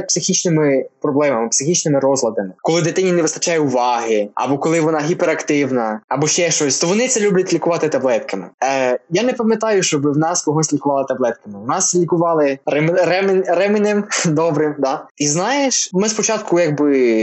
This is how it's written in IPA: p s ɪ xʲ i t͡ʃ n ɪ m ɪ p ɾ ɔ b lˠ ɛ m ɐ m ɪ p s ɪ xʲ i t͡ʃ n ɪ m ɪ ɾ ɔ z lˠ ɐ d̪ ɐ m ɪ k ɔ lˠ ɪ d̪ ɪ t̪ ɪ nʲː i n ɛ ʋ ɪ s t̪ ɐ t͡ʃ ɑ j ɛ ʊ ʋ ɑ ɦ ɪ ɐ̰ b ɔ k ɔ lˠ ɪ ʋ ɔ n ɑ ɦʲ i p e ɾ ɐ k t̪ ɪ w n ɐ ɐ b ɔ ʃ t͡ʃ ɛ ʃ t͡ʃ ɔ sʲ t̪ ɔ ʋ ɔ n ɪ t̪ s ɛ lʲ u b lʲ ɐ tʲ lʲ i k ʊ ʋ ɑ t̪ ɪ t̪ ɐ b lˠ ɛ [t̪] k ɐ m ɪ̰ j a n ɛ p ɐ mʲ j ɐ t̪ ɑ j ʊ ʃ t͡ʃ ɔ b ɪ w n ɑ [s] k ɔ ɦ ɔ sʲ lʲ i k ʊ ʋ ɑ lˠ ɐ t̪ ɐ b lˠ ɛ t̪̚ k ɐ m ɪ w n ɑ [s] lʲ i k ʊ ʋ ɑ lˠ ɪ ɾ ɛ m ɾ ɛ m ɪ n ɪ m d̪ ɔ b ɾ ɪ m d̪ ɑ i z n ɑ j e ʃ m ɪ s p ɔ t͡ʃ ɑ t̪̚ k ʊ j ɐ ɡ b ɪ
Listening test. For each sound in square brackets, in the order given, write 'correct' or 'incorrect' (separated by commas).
correct, correct, correct